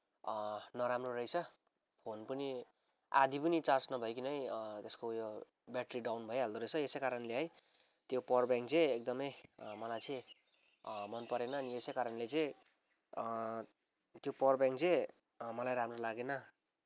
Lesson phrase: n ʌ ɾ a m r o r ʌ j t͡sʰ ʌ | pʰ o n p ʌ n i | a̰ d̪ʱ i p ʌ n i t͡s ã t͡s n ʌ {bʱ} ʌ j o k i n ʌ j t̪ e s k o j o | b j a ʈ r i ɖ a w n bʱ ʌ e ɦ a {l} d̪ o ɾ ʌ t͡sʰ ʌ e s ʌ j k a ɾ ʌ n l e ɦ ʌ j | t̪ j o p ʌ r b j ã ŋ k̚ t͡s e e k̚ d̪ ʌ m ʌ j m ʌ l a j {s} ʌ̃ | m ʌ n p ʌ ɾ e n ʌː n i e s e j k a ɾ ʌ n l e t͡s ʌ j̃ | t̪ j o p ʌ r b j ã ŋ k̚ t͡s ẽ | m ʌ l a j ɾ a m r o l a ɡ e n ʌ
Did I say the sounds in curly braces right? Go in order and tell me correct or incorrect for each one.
correct, correct, incorrect

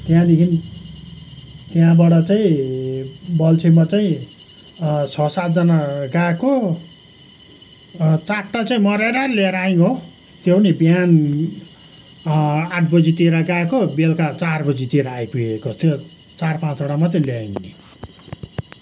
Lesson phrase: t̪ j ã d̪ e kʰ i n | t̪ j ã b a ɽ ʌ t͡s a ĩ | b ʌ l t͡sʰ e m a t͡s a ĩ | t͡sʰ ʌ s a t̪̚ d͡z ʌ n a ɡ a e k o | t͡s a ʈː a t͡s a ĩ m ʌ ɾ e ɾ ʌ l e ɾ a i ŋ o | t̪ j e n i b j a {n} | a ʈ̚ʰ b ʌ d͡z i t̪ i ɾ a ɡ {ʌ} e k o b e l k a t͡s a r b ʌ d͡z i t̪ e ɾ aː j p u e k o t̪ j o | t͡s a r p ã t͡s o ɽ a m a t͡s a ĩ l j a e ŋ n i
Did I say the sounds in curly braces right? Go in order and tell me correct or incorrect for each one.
correct, incorrect

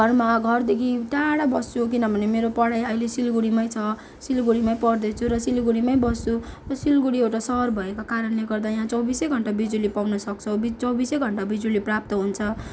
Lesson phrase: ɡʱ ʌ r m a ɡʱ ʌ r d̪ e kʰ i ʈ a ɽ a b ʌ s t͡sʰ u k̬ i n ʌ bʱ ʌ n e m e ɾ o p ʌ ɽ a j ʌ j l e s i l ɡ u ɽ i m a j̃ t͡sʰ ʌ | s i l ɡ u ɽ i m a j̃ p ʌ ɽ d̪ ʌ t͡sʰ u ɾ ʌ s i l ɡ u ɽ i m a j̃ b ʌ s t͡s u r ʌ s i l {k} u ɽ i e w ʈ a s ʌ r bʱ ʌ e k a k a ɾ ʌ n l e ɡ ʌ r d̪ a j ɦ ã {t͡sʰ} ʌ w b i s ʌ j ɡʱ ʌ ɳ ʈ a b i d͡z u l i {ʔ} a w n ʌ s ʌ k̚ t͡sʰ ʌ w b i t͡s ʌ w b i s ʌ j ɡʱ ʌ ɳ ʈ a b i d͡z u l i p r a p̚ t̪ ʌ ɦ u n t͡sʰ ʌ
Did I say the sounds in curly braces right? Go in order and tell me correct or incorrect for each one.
incorrect, incorrect, incorrect

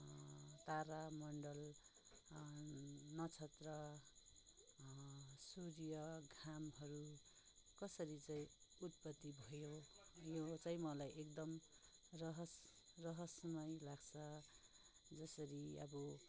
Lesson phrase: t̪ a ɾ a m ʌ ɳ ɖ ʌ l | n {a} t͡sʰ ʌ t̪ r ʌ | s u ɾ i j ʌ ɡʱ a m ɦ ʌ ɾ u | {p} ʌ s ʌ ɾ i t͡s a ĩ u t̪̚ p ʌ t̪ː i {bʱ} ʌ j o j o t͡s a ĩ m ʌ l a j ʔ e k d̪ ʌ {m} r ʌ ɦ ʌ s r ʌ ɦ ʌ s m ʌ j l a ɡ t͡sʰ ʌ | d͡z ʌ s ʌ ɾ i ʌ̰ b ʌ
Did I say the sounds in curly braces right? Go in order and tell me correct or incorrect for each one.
incorrect, incorrect, correct, correct

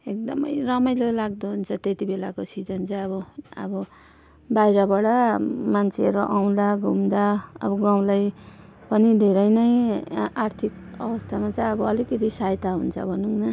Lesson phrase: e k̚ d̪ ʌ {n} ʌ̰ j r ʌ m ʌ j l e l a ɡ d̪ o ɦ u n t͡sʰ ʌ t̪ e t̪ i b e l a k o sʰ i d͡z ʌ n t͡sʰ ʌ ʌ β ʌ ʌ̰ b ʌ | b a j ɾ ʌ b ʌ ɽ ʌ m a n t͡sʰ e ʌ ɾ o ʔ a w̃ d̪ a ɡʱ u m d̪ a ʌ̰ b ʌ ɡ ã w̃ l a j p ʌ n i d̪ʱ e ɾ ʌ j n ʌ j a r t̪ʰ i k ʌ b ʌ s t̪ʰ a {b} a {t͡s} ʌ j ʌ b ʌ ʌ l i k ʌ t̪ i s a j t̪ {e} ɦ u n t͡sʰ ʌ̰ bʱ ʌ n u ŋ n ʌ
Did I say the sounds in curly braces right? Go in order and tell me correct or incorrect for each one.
incorrect, incorrect, correct, incorrect

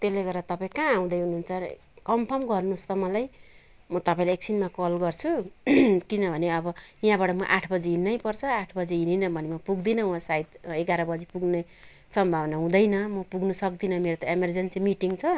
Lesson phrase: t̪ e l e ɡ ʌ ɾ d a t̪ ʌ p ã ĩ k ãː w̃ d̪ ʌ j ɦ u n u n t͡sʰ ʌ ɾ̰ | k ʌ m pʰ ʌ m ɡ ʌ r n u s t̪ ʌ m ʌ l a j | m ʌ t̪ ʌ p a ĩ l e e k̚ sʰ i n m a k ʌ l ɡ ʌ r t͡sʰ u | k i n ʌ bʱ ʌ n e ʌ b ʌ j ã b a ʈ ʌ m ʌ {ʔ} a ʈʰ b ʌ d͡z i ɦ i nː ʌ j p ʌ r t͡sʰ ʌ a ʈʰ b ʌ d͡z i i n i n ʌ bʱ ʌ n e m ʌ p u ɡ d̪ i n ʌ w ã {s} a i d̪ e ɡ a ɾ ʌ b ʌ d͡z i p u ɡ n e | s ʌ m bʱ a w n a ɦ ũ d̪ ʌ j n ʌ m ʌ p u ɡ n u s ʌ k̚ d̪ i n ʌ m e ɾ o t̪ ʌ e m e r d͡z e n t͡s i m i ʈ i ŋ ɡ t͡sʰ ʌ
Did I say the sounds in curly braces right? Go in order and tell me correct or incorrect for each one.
correct, correct

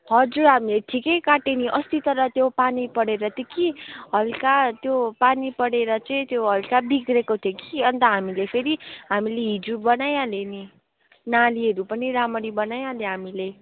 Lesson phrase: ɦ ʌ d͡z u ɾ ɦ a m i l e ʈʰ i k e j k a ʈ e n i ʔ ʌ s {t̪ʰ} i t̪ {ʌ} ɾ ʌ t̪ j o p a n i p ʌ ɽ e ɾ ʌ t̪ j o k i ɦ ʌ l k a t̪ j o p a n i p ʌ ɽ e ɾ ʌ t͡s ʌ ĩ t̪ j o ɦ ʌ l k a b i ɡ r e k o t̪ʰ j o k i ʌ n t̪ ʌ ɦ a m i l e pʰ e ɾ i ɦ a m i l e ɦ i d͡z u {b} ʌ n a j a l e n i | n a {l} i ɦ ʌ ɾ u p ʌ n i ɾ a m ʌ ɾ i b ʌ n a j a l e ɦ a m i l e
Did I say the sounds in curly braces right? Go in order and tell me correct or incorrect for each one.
incorrect, correct, correct, correct

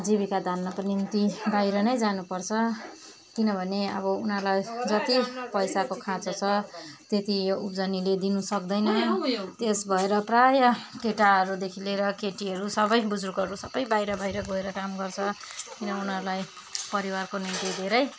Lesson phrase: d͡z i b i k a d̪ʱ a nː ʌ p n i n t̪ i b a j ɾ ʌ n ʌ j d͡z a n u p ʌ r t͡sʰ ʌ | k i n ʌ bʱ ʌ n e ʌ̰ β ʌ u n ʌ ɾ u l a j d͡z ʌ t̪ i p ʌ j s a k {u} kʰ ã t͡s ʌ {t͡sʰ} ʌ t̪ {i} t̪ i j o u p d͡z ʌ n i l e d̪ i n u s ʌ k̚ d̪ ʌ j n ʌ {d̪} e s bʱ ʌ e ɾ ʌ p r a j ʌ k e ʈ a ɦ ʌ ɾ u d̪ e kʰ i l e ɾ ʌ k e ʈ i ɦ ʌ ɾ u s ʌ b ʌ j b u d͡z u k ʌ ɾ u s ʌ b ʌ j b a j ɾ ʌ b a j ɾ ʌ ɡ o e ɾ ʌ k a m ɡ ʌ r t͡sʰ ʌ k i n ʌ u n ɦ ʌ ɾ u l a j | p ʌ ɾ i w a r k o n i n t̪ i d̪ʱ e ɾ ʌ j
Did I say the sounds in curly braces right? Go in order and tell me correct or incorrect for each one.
incorrect, correct, incorrect, incorrect

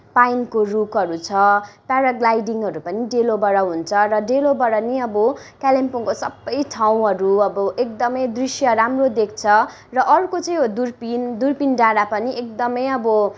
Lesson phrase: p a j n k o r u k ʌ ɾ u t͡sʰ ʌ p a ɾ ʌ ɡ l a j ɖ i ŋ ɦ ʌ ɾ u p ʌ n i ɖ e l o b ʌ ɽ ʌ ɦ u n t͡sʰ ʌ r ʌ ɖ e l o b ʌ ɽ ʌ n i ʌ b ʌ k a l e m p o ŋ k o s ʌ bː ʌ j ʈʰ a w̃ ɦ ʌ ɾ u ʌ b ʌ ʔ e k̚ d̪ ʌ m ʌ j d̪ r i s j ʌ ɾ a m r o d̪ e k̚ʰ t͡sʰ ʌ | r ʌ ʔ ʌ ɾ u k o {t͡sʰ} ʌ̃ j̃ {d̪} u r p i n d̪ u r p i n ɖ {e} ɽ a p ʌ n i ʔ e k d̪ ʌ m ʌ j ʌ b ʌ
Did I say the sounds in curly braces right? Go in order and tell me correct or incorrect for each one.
incorrect, correct, incorrect

